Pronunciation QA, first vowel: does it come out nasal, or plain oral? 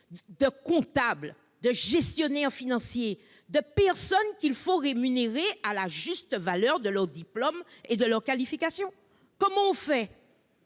oral